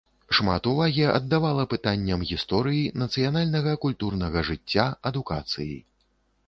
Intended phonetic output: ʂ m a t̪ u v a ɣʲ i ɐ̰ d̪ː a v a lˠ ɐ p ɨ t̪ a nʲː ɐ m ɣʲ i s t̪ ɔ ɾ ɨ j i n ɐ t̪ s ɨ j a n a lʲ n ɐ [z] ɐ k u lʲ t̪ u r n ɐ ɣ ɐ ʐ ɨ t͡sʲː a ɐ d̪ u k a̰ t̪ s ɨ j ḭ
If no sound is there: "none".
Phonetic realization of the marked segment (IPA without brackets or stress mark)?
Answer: ɣ